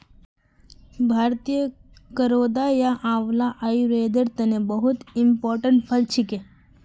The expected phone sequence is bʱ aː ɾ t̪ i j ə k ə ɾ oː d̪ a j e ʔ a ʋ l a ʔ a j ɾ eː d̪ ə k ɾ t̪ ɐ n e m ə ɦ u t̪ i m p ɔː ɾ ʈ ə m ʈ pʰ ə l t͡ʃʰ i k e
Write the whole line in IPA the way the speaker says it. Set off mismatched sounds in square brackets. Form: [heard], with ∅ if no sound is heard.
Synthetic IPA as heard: bʱ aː ɾ t̪ i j ə k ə ɾ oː d̪ a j [a] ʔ a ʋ l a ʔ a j ɾ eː d̪ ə [∅] ɾ t̪ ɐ n e [b] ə ɦ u t̪ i m p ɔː ɾ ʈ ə [ɳ] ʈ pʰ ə l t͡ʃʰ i k e